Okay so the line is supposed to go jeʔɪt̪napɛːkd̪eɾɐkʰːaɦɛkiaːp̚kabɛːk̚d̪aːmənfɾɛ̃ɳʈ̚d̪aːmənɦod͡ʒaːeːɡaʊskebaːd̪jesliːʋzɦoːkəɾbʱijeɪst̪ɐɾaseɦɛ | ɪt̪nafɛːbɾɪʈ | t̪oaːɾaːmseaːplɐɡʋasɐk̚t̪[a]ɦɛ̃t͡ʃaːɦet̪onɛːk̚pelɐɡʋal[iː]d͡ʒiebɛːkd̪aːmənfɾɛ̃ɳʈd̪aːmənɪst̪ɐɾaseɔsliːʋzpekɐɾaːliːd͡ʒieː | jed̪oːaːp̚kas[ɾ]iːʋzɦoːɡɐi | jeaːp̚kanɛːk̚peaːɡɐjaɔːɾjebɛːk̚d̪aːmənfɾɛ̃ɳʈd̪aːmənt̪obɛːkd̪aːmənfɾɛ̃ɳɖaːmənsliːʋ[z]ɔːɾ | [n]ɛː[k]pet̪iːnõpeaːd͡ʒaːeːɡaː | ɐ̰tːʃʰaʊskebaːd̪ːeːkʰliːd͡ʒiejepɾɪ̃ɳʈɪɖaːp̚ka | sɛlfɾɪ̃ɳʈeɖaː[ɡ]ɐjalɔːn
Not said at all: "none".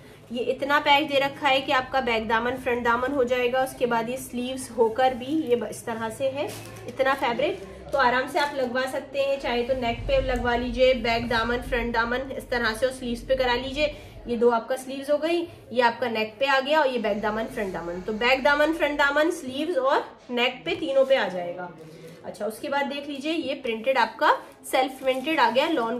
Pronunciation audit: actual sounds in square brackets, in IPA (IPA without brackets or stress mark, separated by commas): e, iː, l, z, n, k, ɡ